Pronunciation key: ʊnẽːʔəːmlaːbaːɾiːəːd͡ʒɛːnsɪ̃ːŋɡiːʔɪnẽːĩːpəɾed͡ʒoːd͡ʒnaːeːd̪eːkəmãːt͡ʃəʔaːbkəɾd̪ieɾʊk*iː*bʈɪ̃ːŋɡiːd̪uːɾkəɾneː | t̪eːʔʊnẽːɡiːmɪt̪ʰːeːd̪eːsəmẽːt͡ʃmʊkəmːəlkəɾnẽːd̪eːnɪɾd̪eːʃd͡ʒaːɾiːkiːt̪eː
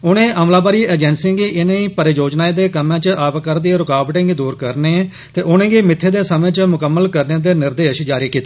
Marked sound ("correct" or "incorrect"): incorrect